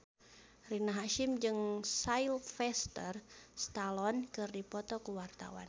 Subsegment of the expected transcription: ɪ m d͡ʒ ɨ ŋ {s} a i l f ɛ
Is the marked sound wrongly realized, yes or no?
no